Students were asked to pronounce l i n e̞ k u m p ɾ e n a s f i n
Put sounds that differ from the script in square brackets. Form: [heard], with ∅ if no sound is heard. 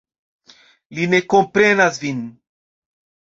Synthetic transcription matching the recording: l i n e̞ k [o] m p ɾ e n a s [v] i n